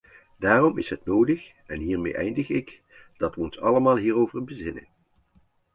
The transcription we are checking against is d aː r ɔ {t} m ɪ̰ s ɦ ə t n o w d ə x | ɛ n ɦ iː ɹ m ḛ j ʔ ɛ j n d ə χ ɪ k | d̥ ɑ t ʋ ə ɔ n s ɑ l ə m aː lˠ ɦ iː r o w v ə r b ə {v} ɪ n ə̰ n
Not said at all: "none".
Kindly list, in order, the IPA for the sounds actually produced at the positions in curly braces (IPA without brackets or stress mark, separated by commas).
none, z